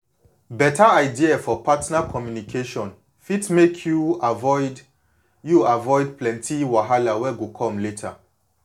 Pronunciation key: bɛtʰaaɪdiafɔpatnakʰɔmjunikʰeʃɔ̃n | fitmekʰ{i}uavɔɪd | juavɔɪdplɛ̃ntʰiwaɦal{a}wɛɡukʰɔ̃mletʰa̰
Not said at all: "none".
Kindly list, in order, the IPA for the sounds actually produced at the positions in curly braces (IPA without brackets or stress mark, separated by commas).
j, a